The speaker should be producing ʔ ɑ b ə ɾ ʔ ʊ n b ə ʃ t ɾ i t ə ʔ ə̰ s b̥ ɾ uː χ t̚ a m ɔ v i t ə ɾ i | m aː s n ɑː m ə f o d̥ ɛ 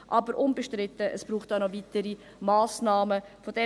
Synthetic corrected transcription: ʔ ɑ b ə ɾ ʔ ʊ n b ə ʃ t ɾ ɪ t ə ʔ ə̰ s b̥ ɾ uː χ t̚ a n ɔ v i t ə ɾ i | m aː s n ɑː m ə f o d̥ ɛ